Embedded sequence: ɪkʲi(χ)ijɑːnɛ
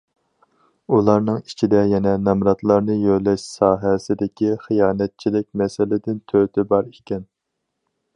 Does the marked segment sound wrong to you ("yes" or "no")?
no